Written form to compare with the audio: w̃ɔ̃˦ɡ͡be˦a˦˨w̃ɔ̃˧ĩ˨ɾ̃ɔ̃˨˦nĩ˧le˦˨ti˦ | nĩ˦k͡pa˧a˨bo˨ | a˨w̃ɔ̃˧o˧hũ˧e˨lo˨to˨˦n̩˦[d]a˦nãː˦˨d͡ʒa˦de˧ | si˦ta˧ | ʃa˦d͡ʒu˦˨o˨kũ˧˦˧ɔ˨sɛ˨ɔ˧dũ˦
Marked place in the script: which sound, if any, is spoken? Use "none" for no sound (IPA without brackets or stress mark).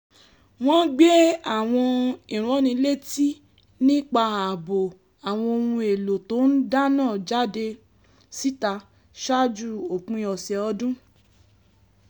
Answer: d